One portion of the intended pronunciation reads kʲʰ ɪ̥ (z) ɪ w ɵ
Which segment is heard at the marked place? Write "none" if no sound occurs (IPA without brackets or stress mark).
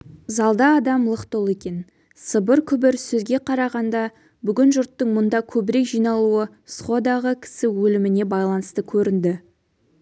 s